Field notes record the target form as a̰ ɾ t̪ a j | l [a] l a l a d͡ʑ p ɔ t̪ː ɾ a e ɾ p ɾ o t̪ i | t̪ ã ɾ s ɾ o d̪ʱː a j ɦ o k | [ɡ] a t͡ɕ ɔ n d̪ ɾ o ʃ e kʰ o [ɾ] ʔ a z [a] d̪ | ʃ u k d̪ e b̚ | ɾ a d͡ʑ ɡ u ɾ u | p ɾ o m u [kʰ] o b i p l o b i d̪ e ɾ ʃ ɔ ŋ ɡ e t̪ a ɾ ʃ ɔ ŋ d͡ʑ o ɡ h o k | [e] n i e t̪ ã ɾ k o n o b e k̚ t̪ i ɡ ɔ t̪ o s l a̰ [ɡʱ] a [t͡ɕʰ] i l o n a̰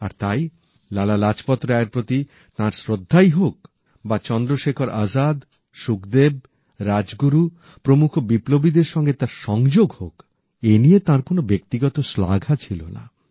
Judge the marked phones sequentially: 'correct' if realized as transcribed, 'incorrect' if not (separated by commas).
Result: correct, incorrect, correct, correct, correct, correct, correct, correct